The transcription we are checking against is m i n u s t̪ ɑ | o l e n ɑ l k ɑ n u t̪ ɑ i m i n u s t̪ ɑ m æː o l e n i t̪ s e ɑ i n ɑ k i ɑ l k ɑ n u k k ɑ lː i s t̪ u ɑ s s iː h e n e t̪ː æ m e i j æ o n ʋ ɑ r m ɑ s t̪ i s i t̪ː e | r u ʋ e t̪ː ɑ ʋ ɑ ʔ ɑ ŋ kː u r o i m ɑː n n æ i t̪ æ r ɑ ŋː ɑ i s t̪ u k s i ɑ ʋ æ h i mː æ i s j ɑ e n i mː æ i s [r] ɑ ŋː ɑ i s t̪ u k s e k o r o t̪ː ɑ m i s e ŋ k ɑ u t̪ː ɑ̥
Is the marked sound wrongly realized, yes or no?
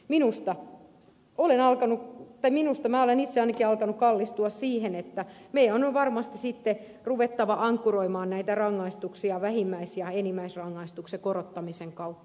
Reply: no